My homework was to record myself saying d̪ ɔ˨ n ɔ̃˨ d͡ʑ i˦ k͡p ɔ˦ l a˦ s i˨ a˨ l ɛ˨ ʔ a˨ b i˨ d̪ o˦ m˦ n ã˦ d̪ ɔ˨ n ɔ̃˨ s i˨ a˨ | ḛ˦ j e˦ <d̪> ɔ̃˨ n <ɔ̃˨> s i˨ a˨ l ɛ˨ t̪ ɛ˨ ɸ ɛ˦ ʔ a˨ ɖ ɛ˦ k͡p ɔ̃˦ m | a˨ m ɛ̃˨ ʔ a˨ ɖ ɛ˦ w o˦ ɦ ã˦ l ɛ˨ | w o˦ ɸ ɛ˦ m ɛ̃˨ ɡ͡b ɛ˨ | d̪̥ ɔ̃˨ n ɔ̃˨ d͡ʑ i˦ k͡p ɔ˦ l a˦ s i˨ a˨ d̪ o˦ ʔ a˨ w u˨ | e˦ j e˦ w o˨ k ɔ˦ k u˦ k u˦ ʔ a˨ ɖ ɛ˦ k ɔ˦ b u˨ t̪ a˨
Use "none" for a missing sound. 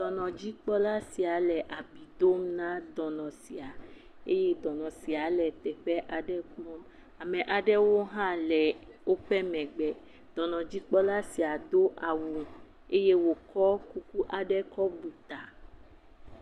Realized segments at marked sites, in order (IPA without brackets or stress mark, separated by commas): d̪, ɔ̃˨